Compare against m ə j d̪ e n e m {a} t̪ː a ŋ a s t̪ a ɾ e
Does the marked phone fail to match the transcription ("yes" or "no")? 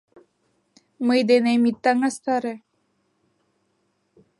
yes